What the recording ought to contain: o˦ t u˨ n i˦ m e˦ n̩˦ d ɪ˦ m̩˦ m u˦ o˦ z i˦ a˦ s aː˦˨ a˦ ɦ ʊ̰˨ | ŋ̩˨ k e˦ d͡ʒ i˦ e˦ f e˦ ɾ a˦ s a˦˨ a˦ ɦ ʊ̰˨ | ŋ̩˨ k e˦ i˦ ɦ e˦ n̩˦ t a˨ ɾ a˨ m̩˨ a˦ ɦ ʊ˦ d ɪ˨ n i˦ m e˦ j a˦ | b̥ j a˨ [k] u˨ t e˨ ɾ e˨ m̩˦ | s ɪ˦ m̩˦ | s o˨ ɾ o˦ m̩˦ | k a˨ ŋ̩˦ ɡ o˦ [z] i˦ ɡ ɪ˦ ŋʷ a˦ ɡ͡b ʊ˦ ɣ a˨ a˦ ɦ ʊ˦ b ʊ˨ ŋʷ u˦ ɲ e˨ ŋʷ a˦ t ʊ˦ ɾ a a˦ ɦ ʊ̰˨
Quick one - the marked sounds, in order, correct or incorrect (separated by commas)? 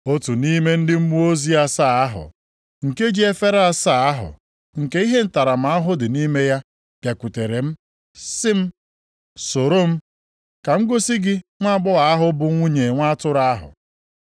correct, incorrect